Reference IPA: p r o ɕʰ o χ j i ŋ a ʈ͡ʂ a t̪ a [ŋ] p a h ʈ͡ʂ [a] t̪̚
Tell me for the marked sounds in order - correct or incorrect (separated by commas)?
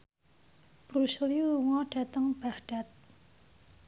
correct, correct